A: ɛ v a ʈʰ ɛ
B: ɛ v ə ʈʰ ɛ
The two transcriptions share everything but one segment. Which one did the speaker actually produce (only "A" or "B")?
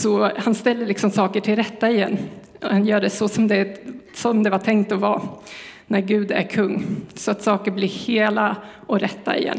A